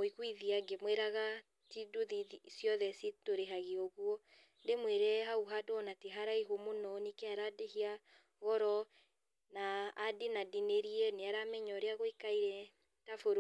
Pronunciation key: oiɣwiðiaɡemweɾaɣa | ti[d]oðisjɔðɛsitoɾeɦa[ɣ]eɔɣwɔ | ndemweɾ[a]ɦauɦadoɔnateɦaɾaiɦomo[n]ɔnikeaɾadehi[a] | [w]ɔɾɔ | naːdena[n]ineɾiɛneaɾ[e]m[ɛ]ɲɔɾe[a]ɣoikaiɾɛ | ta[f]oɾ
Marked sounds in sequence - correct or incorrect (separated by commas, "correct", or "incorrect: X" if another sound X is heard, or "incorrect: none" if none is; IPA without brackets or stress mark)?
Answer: correct, correct, incorrect: ɛ, correct, correct, incorrect: ɣ, incorrect: d, incorrect: a, correct, correct, correct